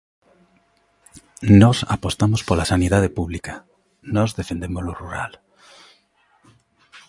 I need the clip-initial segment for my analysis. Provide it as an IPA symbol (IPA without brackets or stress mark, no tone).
n